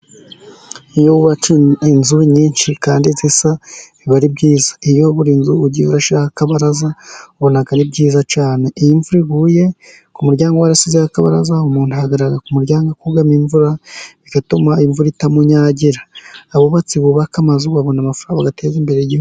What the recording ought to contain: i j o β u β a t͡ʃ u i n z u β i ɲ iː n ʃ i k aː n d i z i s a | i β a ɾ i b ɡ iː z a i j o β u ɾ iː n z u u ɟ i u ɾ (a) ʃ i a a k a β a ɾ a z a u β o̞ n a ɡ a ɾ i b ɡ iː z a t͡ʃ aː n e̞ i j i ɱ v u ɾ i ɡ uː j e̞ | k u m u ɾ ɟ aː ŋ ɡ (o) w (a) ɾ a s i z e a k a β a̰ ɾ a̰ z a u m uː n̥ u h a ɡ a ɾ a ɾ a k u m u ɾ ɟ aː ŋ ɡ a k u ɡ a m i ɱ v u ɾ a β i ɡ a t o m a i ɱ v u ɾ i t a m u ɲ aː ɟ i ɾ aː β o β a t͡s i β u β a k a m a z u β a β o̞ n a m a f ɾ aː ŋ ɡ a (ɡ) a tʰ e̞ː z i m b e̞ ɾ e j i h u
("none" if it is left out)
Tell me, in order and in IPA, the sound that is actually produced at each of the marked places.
a, o, a, ɡ

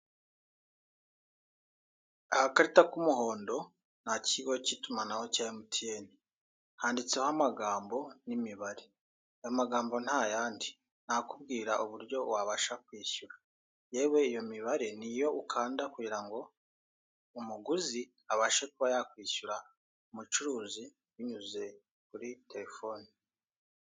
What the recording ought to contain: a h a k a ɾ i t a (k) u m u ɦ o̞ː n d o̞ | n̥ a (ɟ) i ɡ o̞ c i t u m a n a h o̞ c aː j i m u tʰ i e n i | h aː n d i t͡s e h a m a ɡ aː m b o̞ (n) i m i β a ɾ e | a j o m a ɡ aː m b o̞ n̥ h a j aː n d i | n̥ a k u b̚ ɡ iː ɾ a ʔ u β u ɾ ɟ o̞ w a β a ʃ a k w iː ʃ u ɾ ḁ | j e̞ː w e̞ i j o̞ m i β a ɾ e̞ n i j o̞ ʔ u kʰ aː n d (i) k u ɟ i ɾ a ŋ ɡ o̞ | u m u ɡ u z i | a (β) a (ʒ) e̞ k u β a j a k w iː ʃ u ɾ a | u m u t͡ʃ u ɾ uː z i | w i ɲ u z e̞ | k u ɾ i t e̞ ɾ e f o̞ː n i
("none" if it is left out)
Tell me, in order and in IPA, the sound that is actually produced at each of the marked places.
k, c, n, a, β, ʃ

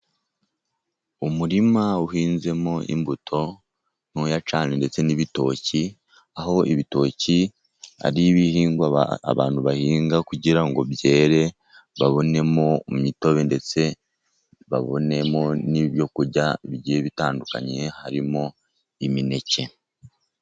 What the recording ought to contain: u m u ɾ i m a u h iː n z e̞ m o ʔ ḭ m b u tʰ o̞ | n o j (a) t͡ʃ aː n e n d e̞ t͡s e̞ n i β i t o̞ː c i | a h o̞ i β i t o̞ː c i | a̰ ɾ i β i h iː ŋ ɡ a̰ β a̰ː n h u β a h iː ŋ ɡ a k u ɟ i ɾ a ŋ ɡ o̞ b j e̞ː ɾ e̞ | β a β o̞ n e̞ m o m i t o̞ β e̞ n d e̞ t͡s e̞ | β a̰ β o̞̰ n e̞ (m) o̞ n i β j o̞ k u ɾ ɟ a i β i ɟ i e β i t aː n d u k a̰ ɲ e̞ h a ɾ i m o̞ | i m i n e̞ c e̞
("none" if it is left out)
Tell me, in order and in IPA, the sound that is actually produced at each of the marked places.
a, m

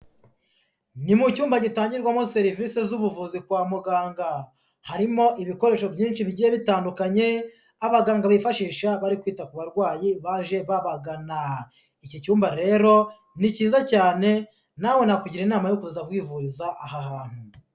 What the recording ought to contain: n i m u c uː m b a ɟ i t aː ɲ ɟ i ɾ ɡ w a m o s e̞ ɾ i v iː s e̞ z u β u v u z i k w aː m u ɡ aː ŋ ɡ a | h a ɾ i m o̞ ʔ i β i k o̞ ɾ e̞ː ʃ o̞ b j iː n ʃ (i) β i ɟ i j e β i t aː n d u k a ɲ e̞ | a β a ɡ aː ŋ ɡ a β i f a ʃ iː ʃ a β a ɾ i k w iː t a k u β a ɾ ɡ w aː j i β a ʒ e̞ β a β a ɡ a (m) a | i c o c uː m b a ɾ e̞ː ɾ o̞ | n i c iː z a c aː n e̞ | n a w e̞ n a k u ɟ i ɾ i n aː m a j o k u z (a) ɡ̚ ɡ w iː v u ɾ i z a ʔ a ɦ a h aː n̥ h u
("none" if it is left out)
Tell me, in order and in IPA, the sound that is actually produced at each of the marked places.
i, n, a

